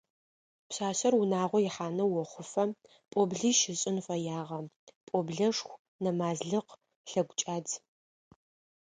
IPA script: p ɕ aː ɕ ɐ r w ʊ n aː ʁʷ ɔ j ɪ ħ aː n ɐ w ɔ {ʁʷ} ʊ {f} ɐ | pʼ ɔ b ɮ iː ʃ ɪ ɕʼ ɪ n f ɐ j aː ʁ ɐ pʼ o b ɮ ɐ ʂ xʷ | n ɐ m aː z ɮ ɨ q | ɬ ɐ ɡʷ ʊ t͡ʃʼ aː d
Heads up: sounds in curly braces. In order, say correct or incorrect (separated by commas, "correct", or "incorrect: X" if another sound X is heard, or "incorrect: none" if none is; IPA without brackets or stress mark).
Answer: incorrect: χʷ, correct